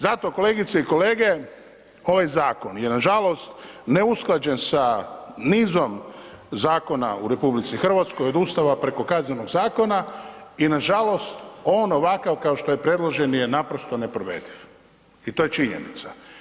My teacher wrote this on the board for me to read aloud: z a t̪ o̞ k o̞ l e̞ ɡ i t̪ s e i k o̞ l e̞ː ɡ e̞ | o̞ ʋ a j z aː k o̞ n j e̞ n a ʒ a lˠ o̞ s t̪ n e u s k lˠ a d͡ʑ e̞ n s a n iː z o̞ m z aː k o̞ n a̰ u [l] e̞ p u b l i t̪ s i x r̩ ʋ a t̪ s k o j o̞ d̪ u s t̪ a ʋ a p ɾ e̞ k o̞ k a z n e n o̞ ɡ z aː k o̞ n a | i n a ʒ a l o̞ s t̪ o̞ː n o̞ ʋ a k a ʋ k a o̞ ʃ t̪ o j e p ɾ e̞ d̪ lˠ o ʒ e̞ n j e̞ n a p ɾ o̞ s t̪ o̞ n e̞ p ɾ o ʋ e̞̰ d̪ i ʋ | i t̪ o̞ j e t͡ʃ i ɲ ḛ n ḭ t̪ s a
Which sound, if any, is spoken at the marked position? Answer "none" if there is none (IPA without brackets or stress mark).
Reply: ɾ